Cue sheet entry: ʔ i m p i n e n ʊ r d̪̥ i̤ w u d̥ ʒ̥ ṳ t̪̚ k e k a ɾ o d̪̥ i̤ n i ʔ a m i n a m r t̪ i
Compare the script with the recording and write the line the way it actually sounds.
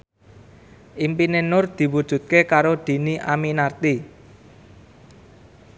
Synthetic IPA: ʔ i m p i n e n ʊ r d̪̥ i̤ w u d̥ ʒ̥ ṳ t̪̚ k e k a ɾ o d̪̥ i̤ n i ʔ a m i n a r t̪ i